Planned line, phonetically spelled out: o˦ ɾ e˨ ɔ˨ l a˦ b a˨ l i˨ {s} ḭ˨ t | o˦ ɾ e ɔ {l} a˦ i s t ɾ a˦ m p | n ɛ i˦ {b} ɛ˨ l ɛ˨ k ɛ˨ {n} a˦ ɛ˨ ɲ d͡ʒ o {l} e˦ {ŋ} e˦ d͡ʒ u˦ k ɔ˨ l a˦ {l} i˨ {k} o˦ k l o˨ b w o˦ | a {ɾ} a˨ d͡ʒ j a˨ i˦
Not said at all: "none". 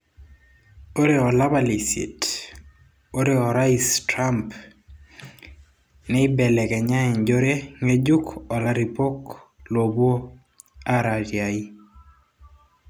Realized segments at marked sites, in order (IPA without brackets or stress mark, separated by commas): s, ɾ, b, ɲ, ɾ, ŋ, ɾ, p, ɾ